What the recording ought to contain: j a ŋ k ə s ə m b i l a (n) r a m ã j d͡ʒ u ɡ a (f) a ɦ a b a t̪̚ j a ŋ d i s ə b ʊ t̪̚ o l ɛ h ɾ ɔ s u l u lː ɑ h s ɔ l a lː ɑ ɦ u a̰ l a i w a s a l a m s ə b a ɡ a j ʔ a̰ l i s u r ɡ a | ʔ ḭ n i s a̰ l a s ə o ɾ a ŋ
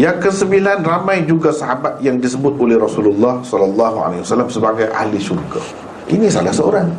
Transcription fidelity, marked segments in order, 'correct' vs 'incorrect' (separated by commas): correct, incorrect